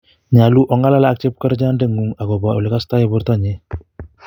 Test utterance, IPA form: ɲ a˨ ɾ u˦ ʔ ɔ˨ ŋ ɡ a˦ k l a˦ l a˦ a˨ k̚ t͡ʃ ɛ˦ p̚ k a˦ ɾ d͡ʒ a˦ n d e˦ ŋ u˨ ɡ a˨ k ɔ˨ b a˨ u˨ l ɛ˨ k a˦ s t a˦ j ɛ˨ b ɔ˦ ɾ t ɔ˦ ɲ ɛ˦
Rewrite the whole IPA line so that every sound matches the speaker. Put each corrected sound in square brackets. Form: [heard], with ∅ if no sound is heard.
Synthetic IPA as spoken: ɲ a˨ [l] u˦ ʔ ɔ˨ ŋ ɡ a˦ [∅] l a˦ l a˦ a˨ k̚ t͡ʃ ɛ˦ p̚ k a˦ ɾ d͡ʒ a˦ n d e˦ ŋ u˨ [ŋ] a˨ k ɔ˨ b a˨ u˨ l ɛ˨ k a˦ s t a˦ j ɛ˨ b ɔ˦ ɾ t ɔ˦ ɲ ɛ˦